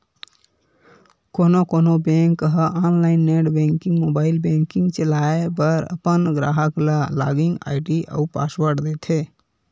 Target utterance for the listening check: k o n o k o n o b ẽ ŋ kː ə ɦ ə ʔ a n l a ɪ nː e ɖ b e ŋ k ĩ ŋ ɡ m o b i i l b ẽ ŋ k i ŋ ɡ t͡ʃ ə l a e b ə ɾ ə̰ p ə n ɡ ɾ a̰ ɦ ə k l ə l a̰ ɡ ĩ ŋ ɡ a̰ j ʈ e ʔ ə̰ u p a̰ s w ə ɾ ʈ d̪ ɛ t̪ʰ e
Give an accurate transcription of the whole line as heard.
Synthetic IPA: k o n o k o n o b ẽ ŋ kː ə ɦ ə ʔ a n l a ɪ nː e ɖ b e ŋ k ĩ ŋ ɡ m o b a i l b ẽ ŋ k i ŋ ɡ t͡ʃ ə l a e b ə ɾ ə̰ p ə n ɡ ɾ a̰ ɦ ə k l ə l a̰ ɡ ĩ ŋ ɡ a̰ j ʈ i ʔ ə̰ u p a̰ s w ə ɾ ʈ d̪ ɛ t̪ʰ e